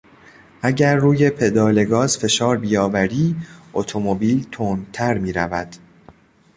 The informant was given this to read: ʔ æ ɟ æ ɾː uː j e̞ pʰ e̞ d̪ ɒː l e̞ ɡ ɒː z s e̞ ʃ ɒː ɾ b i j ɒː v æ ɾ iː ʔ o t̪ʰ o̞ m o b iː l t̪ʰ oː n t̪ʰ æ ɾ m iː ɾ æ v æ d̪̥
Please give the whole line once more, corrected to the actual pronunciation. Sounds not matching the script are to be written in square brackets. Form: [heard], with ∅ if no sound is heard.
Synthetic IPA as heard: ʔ æ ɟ æ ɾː uː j e̞ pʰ e̞ d̪ ɒː l e̞ ɡ ɒː z [f] e̞ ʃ ɒː ɾ b i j ɒː v æ ɾ iː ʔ o t̪ʰ o̞ m o b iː l t̪ʰ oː n t̪ʰ æ ɾ m iː ɾ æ v æ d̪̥